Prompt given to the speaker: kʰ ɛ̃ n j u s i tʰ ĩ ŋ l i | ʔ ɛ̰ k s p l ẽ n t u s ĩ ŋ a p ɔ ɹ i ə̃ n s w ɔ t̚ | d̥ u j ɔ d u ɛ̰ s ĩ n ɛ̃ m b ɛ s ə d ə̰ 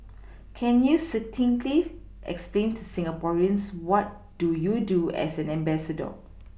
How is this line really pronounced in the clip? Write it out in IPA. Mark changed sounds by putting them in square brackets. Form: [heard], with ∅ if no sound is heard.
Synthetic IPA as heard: kʰ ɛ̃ n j u s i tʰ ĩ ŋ l i | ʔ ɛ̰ k s p l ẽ n t u s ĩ ŋ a p ɔ ɹ i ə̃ n s w ɔ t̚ | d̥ u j [u] d u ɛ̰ s [ɛ̃] n ɛ̃ m b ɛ s ə d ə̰